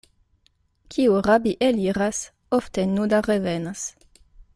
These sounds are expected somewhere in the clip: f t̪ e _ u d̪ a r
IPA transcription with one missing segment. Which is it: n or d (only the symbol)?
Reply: n